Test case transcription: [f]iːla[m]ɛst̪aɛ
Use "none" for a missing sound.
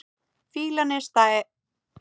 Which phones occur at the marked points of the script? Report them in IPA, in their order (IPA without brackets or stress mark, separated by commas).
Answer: f, n